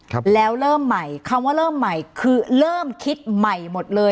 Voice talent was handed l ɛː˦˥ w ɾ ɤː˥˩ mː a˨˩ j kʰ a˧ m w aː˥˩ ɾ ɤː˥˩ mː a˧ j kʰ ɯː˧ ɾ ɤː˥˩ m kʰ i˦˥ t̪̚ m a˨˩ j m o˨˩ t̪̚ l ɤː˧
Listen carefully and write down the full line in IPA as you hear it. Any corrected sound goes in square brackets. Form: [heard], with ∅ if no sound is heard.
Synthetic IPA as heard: l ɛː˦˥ w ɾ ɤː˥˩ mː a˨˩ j kʰ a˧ m w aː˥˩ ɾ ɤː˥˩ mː [a˨˩] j kʰ ɯː˧ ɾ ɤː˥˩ m kʰ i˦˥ t̪̚ m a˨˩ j m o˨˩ t̪̚ l ɤː˧